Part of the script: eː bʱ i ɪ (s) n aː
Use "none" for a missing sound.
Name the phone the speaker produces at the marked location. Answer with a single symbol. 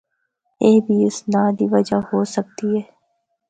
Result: s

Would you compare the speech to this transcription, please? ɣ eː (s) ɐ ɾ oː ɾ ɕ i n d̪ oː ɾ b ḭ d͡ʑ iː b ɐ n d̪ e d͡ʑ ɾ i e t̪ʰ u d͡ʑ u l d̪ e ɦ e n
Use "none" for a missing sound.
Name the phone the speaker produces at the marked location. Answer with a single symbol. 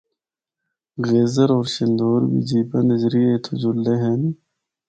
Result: z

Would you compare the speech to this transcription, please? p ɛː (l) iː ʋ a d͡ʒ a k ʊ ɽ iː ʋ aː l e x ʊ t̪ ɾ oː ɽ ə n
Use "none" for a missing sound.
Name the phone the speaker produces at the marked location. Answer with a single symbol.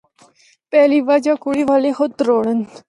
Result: l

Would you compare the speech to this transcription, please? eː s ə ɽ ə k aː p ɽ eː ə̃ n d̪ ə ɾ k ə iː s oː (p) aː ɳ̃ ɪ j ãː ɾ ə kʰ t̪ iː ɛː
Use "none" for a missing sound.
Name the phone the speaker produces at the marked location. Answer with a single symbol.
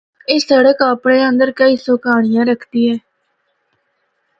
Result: k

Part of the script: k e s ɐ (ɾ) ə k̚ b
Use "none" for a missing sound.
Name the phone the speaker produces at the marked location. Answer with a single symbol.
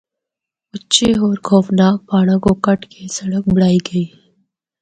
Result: ɽ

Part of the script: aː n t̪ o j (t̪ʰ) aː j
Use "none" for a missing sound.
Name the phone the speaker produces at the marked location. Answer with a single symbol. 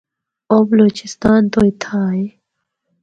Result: t̪ʰ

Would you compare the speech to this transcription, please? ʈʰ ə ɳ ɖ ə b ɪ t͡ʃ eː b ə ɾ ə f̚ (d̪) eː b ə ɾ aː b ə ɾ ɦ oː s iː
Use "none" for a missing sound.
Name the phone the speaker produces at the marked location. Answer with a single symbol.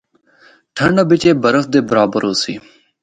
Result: d̪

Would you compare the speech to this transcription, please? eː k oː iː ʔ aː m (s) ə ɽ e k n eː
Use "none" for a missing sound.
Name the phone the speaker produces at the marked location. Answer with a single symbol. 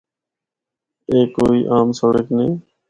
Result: s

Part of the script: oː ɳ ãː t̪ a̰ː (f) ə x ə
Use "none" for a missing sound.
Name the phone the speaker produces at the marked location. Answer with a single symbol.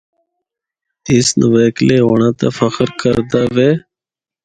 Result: f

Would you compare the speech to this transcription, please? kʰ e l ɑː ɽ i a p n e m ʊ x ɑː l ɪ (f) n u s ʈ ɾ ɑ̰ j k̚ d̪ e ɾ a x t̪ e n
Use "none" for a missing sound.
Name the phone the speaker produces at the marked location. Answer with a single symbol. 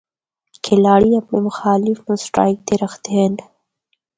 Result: f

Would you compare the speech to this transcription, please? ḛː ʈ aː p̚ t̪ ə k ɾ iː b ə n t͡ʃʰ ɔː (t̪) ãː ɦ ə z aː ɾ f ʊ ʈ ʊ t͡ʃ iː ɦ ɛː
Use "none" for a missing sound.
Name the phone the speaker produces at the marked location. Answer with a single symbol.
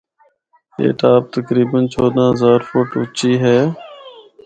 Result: d̪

